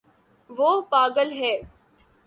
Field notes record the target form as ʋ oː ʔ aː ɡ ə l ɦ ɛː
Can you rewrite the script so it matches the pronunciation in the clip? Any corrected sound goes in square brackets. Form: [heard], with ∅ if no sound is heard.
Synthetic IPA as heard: ʋ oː [p] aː ɡ ə l ɦ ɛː